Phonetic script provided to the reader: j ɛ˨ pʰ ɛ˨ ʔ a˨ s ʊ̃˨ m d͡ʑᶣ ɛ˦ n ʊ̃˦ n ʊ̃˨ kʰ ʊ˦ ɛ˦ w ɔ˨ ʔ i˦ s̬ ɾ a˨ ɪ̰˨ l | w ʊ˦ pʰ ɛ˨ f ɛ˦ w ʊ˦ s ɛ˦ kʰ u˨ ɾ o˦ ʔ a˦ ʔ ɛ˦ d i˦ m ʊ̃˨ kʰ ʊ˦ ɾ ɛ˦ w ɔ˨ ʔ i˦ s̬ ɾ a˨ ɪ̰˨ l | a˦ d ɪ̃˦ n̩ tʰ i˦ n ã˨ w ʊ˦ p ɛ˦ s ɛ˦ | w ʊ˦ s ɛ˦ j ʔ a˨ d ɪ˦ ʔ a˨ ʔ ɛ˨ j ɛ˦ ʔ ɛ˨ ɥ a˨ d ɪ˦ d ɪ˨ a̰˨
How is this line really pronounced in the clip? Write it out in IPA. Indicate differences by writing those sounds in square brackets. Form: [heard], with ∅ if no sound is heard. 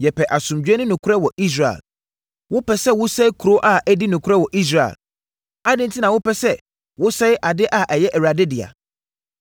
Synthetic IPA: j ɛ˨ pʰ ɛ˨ ʔ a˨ s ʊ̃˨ m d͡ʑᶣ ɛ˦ n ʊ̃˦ n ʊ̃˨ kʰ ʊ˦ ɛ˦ w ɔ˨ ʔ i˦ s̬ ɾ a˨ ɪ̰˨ l | w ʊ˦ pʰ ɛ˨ [s] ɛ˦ w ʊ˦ s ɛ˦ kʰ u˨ ɾ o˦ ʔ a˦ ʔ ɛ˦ d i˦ [n] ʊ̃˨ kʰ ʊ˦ ɾ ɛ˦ w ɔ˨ ʔ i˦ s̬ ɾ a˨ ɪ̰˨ l | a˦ d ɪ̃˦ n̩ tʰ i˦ n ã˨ w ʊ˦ p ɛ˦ s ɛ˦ | w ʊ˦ s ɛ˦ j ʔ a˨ d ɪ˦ ʔ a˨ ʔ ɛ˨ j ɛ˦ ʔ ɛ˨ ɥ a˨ d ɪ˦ d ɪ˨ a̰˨